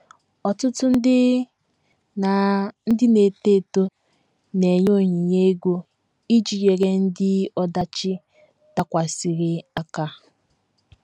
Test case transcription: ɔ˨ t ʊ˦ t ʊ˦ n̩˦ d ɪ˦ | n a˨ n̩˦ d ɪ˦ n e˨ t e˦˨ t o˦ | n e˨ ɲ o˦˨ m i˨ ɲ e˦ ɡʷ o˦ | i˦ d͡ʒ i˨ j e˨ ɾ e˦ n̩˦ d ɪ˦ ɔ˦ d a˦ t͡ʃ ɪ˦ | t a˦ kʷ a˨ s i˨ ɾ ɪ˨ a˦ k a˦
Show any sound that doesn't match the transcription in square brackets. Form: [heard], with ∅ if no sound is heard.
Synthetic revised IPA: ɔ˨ t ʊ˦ t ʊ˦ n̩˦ d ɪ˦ | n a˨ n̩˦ d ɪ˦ n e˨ t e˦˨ t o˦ | n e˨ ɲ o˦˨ [ɲ] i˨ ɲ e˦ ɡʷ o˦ | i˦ d͡ʒ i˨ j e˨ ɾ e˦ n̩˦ d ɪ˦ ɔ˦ d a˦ t͡ʃ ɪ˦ | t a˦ kʷ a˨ s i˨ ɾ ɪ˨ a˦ k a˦

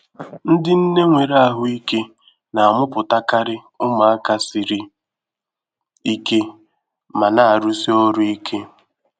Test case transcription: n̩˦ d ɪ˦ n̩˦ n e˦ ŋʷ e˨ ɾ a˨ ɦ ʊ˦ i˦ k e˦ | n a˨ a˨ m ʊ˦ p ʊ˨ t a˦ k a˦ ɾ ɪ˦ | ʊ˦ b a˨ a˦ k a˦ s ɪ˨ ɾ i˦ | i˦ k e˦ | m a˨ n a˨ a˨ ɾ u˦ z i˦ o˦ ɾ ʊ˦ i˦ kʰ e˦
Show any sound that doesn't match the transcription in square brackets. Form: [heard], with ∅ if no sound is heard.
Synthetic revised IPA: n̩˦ d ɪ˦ n̩˦ n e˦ ŋʷ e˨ ɾ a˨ ɦ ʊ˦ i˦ k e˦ | n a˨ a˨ m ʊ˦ p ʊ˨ t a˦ k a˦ ɾ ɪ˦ | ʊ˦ [m] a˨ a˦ k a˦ s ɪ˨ ɾ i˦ | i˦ k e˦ | m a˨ n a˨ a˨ ɾ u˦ [s] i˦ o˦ ɾ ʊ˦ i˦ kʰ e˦

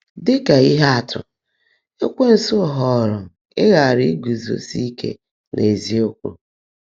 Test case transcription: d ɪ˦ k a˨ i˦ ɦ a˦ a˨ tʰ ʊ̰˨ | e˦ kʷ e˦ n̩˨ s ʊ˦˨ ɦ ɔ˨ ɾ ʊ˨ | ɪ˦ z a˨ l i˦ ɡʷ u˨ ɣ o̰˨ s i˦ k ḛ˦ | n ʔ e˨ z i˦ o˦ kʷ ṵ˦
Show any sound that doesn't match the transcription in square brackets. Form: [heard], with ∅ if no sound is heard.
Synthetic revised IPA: d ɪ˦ k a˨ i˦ ɦ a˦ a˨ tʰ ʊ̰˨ | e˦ kʷ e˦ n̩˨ s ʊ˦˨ ɦ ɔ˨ ɾ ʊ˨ | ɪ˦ [ɣ] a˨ [ɾ] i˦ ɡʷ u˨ [z] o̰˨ s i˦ k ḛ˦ | n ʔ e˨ z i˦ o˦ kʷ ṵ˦

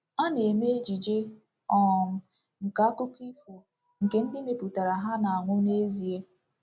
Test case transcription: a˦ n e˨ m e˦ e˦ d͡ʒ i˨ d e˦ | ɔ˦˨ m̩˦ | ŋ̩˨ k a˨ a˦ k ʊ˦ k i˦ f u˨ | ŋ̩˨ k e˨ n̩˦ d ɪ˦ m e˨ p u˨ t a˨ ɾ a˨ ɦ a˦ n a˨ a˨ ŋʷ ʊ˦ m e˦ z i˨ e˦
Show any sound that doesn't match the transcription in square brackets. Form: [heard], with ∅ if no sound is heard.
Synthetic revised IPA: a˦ n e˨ m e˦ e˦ d͡ʒ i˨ [d͡ʒ] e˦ | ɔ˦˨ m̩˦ | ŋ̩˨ k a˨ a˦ k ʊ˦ k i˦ f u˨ | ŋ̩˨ k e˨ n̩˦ d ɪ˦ m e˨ p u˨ t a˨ ɾ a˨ ɦ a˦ n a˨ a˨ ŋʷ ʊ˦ [n] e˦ z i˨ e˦

